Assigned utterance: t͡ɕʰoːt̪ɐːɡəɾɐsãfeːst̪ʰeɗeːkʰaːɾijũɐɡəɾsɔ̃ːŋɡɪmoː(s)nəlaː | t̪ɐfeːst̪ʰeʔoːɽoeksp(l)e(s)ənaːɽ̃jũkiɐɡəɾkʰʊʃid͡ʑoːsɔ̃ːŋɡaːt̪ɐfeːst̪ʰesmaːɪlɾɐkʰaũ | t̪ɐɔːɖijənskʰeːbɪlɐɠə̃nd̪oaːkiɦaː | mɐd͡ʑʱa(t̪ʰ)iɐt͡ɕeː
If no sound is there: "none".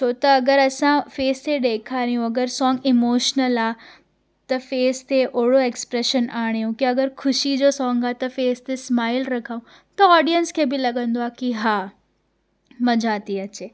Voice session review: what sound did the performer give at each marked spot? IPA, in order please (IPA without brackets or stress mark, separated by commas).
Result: ʃ, ɾ, ʃ, t̪